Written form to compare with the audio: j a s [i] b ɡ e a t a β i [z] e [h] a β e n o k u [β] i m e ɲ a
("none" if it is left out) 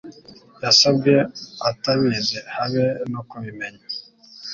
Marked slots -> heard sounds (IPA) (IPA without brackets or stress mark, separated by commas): a, z, h, β